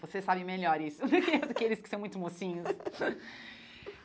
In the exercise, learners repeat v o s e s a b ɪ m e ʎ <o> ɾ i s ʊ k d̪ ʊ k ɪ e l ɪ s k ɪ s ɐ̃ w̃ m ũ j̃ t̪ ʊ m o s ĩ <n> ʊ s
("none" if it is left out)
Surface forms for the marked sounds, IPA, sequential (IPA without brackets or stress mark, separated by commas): ɔ, ɲ